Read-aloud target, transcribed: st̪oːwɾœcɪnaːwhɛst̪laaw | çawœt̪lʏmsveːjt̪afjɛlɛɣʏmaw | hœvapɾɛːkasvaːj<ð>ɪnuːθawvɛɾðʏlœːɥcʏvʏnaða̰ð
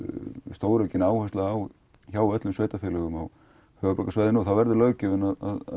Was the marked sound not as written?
no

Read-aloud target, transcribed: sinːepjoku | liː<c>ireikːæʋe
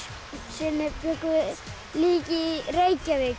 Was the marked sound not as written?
yes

